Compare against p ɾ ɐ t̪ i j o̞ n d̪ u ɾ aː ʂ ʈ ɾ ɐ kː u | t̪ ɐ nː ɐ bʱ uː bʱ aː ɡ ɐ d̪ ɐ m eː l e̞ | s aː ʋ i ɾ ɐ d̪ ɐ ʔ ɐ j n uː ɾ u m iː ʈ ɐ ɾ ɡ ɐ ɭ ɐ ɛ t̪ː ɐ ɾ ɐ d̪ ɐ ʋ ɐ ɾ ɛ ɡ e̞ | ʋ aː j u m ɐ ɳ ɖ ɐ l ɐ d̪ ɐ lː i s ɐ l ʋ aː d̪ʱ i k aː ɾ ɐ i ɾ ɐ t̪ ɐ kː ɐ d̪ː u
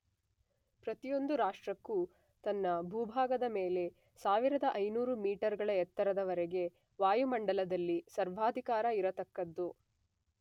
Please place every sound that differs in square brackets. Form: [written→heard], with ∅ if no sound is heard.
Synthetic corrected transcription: p ɾ ɐ t̪ i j o̞ n d̪ u ɾ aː ʂ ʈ ɾ ɐ kː u | t̪ ɐ nː ɐ bʱ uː bʱ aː ɡ ɐ d̪ ɐ m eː l e̞ | s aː ʋ i ɾ ɐ d̪ ɐ ʔ ɐ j n uː ɾ u m iː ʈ ɐ ɾ ɡ ɐ ɭ ɐ ɛ t̪ː ɐ ɾ ɐ d̪ ɐ ʋ ɐ ɾ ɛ ɡ e̞ | ʋ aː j u m ɐ ɳ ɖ ɐ l ɐ d̪ ɐ lː i s ɐ [l→ɾ] ʋ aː d̪ʱ i k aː ɾ ɐ i ɾ ɐ t̪ ɐ kː ɐ d̪ː u